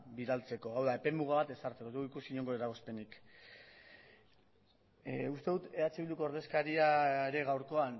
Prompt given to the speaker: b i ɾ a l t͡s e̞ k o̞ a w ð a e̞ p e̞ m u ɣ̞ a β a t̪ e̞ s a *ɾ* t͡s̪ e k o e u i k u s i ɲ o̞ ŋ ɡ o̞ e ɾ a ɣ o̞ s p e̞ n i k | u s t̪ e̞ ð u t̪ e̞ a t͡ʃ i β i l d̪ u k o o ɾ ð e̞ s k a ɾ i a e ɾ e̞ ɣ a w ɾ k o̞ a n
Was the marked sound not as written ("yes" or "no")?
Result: no